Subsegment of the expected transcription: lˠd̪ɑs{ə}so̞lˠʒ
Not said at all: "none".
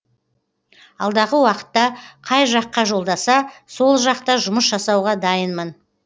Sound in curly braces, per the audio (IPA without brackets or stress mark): ɑ